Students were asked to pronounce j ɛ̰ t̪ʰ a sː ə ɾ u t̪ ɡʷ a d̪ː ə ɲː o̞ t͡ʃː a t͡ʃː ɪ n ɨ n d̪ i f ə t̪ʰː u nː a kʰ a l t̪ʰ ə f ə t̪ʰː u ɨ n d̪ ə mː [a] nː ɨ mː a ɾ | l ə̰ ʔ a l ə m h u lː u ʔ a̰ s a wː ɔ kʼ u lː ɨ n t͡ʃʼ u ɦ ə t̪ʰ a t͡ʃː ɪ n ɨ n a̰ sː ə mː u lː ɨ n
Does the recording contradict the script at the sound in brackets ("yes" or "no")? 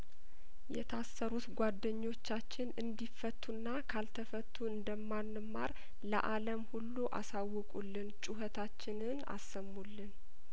no